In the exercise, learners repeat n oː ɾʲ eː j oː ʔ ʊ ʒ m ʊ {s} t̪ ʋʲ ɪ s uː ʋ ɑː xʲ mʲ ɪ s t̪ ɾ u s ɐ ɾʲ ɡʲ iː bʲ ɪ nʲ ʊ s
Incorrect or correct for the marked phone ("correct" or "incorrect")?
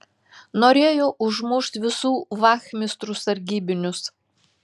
incorrect